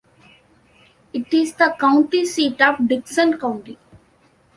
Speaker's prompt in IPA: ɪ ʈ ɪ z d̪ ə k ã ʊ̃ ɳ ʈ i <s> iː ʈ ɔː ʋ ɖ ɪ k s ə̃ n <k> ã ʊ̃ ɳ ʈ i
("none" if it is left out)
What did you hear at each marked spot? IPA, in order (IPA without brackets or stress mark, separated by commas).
s, k